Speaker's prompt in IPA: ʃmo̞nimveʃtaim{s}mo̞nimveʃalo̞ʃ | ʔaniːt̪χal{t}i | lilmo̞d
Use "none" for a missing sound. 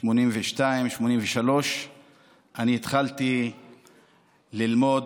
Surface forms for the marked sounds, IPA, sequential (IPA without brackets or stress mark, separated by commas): ʃ, t